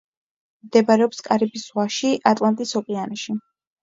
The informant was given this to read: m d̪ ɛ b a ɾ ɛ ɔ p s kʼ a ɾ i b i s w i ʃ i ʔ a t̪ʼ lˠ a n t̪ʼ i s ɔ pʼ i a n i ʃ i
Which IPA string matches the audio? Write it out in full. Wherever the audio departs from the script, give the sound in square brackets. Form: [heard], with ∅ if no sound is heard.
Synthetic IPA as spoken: m d̪ ɛ b a ɾ ɛ ɔ p s kʼ a ɾ i b i s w [a] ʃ i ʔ a t̪ʼ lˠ a n t̪ʼ i s ɔ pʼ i a n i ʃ i